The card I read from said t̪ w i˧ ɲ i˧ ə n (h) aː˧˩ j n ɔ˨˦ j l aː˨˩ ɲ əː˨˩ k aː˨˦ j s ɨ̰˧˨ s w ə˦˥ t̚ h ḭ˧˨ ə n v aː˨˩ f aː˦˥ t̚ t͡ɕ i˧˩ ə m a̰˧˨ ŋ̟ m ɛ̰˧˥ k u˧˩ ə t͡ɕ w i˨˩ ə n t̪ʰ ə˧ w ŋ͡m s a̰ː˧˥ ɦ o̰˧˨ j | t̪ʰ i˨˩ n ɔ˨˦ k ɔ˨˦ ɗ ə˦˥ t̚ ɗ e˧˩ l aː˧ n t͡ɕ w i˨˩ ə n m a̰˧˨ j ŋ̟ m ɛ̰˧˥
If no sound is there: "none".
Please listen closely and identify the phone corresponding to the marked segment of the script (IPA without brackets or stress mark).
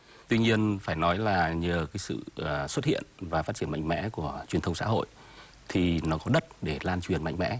f